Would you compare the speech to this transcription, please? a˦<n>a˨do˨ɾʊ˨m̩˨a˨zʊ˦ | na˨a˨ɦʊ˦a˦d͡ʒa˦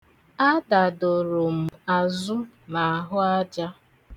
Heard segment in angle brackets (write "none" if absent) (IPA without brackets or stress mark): d